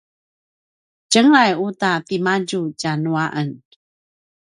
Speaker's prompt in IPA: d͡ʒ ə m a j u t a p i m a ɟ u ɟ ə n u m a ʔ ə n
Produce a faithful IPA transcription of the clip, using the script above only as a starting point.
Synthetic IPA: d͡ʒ ə ŋ a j u t a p i m a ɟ u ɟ a n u a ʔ ə n